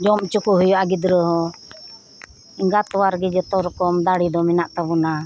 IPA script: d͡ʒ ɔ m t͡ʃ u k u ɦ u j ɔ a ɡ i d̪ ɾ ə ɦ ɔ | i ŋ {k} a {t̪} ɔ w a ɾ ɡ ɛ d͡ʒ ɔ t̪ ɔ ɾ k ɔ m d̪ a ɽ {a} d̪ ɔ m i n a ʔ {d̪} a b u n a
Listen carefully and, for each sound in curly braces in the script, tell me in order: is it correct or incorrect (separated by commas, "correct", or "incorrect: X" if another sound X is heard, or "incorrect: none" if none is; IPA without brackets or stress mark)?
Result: incorrect: ɡ, correct, incorrect: i, incorrect: t̪